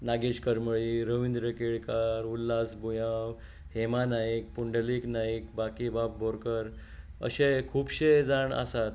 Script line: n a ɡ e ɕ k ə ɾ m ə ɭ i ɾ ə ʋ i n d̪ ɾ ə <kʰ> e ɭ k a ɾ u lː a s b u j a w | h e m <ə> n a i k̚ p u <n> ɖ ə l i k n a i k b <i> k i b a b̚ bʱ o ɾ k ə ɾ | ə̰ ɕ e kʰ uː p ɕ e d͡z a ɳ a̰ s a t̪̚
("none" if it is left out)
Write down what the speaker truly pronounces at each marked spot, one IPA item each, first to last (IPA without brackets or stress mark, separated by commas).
k, a, ɳ, a